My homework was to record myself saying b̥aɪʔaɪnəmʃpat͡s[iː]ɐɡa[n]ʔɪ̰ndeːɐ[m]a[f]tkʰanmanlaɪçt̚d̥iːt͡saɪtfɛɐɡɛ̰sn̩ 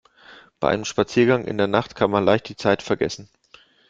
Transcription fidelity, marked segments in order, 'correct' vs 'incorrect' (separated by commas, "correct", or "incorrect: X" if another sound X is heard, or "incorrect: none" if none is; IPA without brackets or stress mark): correct, incorrect: ŋ, incorrect: n, incorrect: χ